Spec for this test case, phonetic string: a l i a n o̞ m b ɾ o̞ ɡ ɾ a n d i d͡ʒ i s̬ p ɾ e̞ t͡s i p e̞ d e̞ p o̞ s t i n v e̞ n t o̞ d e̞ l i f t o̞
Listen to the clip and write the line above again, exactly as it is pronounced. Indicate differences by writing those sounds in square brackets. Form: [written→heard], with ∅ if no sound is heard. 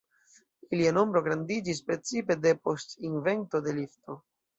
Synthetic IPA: [a→i] l i a n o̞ m b ɾ o̞ ɡ ɾ a n d i d͡ʒ i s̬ p ɾ e̞ t͡s i p e̞ d e̞ p o̞ s t i n v e̞ n t o̞ d e̞ l i f t o̞